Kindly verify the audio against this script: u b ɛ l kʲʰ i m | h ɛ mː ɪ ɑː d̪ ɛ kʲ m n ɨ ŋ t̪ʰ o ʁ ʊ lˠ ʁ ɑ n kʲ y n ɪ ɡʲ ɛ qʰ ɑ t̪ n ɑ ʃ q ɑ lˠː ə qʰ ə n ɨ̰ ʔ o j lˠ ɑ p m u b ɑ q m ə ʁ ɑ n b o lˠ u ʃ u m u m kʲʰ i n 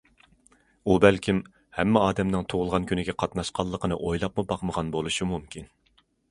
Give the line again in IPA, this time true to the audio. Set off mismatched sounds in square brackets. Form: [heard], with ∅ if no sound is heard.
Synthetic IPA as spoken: u b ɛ l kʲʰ i m | h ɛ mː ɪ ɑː d̪ ɛ [∅] m n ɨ ŋ t̪ʰ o ʁ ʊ lˠ ʁ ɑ n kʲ y n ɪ ɡʲ ɛ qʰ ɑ t̪ n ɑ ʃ q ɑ lˠː ə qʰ ə n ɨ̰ ʔ o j lˠ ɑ p m u b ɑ q m ə ʁ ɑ n b o lˠ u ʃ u m u m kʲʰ i n